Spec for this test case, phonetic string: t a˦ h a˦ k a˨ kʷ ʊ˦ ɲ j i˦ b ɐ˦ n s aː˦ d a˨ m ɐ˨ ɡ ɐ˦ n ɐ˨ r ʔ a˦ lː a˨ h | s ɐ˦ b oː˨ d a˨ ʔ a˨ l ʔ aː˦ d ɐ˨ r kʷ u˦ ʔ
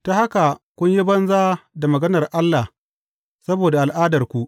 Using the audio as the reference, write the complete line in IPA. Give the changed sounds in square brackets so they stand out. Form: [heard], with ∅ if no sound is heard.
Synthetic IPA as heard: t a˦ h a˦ k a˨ kʷ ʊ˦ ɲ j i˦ b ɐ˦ n [z] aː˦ d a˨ m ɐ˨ ɡ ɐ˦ n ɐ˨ r ʔ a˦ lː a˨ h | s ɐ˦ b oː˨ d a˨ ʔ a˨ l ʔ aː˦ d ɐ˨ r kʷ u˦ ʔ